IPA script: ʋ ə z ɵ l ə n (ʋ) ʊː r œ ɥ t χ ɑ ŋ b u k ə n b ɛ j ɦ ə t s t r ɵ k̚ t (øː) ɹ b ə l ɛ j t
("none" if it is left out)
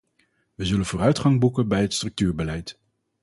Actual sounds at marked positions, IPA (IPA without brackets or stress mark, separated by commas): v, yː